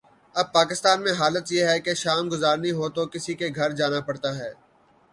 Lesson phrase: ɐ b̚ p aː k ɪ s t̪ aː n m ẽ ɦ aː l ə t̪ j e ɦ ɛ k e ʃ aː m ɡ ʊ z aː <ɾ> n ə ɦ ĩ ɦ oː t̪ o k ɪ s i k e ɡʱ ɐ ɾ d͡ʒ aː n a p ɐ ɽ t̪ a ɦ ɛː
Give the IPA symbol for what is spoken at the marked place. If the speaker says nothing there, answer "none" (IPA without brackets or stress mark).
ɾ